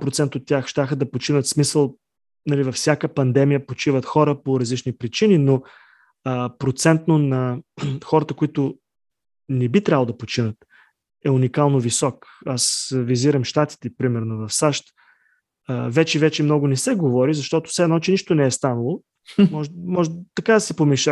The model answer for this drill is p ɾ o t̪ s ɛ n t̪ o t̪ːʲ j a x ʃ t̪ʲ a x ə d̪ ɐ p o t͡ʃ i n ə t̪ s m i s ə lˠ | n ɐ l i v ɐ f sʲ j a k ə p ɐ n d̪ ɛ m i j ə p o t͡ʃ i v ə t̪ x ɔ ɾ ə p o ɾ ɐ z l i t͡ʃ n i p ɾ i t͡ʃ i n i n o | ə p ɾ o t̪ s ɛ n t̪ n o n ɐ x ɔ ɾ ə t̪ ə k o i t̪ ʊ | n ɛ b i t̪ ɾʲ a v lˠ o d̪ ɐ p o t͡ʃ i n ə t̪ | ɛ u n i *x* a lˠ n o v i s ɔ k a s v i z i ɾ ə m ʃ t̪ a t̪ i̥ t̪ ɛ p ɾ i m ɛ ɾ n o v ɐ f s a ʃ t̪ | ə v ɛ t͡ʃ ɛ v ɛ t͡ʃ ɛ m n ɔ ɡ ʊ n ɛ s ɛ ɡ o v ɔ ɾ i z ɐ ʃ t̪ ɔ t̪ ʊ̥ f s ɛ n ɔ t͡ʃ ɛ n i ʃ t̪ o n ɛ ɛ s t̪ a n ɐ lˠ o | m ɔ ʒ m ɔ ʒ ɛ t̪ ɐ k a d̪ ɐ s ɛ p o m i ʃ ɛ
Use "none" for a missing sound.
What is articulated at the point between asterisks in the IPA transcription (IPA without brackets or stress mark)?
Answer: k